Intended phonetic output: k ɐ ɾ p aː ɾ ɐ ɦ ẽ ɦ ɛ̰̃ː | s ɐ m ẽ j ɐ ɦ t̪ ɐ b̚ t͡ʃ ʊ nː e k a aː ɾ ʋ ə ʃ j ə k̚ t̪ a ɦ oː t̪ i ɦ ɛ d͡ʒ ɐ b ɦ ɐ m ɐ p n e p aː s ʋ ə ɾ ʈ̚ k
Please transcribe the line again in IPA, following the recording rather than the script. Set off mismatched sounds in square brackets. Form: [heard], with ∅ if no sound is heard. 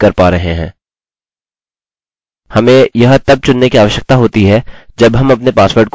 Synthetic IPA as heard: k ɐ ɾ p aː ɾ ɐ ɦ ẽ ɦ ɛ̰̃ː | [h] ɐ m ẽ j ɐ ɦ t̪ ɐ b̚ t͡ʃ ʊ nː e k [i] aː [∅] ʋ ə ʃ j ə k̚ t̪ a ɦ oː t̪ i ɦ ɛ d͡ʒ ɐ b ɦ ɐ m ɐ p n e p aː s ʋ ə ɾ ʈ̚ k

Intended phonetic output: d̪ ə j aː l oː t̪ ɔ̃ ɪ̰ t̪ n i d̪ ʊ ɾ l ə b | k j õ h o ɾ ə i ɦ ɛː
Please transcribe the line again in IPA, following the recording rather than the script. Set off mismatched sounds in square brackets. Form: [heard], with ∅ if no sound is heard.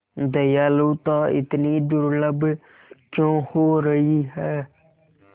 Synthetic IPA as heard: d̪ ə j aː l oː t̪ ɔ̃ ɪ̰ t̪ n i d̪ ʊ ɾ l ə b | k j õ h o ɾ ə i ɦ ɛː

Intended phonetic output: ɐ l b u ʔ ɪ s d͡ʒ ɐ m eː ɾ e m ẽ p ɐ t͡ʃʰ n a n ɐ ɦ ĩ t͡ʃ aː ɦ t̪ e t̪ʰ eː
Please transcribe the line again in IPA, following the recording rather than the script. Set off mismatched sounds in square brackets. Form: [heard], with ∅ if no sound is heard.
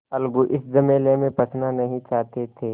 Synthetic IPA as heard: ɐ l [ɡ] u ʔ ɪ s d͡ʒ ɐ m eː [l] e m ẽ p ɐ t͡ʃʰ n a n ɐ ɦ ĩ t͡ʃ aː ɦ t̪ e t̪ʰ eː

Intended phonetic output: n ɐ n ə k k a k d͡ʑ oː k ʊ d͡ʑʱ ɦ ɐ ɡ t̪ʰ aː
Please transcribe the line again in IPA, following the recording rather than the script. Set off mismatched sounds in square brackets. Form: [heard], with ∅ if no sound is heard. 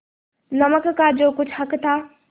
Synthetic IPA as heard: n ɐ [m] ə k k a [∅] d͡ʑ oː k ʊ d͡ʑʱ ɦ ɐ [k] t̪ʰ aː

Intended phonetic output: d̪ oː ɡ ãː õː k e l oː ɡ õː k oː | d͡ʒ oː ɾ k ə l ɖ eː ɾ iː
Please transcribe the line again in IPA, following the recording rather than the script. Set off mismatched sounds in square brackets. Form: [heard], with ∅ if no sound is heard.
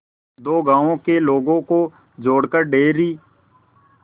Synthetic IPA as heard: d̪ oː ɡ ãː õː k e l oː ɡ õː k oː | d͡ʒ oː [ɽ] k ə [ɾ] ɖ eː ɾ iː

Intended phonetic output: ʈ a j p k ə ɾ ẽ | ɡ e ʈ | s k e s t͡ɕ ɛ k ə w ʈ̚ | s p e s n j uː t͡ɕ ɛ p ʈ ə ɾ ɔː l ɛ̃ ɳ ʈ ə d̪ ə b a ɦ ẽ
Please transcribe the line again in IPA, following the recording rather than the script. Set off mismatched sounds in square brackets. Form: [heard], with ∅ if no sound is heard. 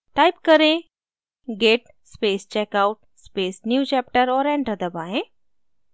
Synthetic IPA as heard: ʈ a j p k ə ɾ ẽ | ɡ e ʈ | s [p] e s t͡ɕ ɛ k [a] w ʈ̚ | s p e s n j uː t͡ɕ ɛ p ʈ ə ɾ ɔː [ɾ] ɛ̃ ɳ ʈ ə d̪ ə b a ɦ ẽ

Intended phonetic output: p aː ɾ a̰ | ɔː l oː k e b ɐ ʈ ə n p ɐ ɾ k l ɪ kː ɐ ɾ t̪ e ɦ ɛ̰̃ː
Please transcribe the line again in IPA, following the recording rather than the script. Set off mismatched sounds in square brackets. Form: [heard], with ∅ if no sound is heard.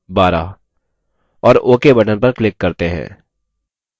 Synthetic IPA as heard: [b] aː ɾ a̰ | ɔː [ɾ] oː k e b ɐ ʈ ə n p ɐ ɾ k l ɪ kː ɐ ɾ t̪ e ɦ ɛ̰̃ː

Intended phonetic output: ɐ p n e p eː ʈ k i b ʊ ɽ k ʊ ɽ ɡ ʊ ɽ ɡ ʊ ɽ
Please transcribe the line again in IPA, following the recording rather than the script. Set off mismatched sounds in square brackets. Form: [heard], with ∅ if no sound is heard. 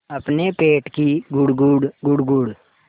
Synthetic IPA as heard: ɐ p n e p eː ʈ k i [ɡ] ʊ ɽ [ɡ] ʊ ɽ ɡ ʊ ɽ ɡ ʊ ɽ

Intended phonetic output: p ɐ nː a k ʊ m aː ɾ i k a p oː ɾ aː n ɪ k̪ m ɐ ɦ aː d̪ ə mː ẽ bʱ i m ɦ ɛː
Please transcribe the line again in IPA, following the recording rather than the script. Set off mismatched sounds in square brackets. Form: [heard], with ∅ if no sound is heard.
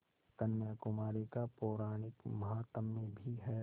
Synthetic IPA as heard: [k] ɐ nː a k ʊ m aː ɾ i k a p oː ɾ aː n ɪ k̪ m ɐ ɦ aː [t̪] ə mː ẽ bʱ i [∅] ɦ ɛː

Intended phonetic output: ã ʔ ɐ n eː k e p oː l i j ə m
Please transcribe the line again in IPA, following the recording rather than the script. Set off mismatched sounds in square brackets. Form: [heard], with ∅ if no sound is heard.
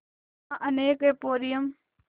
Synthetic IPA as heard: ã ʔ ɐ n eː k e p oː [ɾ] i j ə m

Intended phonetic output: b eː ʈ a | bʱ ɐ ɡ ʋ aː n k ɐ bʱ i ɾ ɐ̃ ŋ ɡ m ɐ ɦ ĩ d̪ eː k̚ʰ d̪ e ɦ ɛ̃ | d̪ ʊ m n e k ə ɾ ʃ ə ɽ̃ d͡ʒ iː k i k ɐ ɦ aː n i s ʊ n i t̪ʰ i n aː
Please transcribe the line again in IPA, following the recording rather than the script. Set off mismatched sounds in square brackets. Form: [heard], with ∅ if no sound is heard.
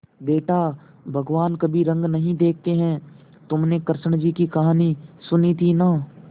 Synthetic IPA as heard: b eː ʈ a | bʱ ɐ ɡ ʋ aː n k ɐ bʱ i ɾ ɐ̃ ŋ ɡ [n] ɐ ɦ ĩ d̪ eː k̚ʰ [t̪] e ɦ ɛ̃ | [t̪] ʊ m n e k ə ɾ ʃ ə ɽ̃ d͡ʒ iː k i k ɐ ɦ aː n i s ʊ n i t̪ʰ i n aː

